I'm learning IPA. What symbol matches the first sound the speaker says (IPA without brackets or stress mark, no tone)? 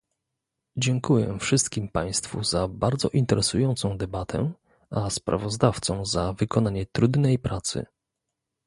d͡ʑ